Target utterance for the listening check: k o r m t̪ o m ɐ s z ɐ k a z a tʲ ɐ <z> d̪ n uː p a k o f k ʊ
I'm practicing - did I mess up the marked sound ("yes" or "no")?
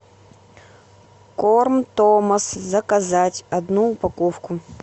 yes